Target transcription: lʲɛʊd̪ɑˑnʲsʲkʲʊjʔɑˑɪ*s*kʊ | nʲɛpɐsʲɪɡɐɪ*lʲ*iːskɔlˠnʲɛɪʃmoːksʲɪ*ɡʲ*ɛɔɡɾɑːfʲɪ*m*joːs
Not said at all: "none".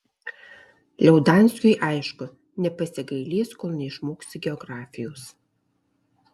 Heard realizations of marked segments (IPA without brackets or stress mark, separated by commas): ʃ, lʲ, ɡʲ, none